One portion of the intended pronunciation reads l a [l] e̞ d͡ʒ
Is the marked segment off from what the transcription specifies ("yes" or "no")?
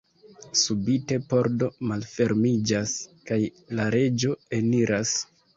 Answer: yes